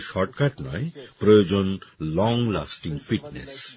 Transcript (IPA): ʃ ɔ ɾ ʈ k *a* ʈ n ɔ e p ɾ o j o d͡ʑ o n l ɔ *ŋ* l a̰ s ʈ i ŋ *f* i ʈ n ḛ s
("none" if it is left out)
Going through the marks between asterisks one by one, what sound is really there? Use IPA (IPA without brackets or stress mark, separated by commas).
a, ŋ, f